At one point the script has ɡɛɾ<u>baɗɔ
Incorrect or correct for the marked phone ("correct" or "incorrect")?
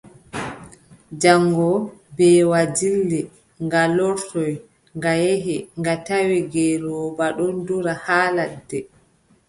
incorrect